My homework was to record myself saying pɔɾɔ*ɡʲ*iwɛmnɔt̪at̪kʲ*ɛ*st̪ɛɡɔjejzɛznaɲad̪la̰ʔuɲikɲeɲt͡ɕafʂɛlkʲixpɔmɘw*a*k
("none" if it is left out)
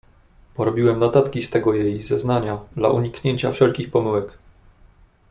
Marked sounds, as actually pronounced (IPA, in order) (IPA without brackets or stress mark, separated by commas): bʲ, i, ɛ